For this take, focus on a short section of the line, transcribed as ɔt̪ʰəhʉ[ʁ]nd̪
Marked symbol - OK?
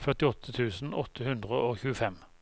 no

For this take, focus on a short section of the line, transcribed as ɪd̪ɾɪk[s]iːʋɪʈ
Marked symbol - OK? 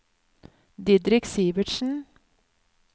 yes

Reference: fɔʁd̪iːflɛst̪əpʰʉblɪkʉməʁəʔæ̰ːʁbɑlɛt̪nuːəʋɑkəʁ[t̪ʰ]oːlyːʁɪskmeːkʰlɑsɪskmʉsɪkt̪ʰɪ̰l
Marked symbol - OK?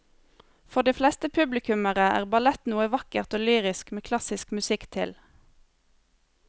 no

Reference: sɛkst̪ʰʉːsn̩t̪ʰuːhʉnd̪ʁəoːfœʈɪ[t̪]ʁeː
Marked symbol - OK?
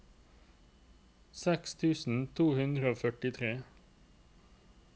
no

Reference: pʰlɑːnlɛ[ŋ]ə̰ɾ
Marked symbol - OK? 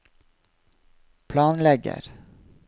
no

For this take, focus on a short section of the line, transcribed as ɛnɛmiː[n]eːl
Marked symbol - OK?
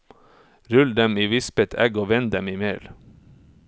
no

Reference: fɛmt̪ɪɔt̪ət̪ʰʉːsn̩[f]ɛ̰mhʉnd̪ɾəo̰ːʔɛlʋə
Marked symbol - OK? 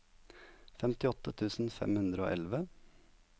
yes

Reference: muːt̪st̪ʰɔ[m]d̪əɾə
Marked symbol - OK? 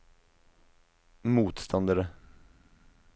no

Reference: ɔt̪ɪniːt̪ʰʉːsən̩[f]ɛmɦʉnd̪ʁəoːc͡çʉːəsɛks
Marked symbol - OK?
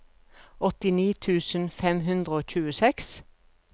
yes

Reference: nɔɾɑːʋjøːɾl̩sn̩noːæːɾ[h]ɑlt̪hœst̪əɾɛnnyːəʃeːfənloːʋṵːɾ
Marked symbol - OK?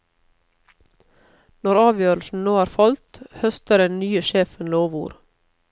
no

